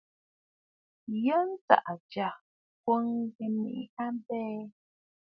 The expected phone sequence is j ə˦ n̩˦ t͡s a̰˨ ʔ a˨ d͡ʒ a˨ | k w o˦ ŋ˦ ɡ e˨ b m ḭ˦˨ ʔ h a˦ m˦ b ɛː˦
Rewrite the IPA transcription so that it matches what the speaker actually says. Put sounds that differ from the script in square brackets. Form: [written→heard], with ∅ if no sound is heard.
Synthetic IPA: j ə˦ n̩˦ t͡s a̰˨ ʔ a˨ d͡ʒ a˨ | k w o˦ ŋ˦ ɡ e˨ [b→∅] m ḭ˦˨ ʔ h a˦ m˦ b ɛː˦